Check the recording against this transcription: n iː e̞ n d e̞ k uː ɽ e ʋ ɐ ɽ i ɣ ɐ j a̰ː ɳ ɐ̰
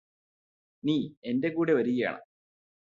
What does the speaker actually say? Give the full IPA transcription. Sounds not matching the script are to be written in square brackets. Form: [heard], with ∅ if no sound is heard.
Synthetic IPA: n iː e̞ n d e̞ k uː ɽ e ʋ ɐ [ɾ] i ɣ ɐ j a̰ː ɳ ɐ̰

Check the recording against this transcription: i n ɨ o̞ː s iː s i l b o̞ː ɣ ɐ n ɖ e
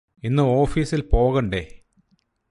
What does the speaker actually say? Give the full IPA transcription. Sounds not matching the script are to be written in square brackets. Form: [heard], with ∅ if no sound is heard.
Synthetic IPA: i [nː] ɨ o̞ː [f] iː s i l [p] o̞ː ɣ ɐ [ɳ] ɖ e

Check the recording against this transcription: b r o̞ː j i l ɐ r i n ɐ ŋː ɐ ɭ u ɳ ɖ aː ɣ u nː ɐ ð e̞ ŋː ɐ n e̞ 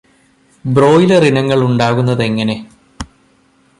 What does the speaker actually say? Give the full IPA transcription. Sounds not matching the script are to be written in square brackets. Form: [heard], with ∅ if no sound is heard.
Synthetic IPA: b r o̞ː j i l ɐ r i n ɐ ŋː ɐ ɭ u ɳ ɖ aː ɣ u nː ɐ ð e̞ ŋː ɐ n e̞

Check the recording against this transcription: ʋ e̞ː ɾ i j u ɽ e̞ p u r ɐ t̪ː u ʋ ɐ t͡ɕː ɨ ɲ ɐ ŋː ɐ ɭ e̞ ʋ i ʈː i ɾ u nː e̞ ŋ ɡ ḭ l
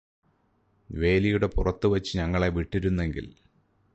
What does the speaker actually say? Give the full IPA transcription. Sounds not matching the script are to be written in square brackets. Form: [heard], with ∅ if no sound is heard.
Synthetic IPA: ʋ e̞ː [l] i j u ɽ e̞ p u r ɐ t̪ː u ʋ ɐ t͡ɕː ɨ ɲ ɐ ŋː ɐ ɭ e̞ ʋ i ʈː i ɾ u nː e̞ ŋ ɡ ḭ l

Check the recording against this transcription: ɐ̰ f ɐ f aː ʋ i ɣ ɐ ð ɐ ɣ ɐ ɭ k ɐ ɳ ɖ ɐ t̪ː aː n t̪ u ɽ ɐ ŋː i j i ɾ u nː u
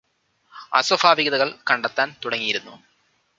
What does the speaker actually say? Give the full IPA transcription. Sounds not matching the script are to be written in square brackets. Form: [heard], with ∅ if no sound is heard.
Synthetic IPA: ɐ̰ [s] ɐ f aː ʋ i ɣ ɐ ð ɐ ɣ ɐ ɭ k ɐ ɳ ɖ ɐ t̪ː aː n t̪ u ɽ ɐ ŋː i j i ɾ u nː u

